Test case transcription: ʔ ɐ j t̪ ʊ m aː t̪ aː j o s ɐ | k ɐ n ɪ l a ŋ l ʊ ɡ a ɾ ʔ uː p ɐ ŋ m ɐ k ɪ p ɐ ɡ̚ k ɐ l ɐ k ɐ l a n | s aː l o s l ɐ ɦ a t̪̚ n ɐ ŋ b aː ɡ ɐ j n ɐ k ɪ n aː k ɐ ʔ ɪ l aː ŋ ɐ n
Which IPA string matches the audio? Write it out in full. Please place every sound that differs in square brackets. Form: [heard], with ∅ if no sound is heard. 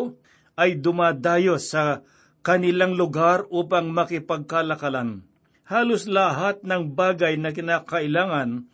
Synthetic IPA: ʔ ɐ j [d̪] ʊ m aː [d̪] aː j o s ɐ | k ɐ n ɪ l a ŋ l ʊ ɡ a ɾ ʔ uː p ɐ ŋ m ɐ k ɪ p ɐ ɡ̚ k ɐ l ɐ k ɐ l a n | [h] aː l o s l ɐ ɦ a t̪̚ n ɐ ŋ b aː ɡ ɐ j n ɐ k ɪ n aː k ɐ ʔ ɪ l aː ŋ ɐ n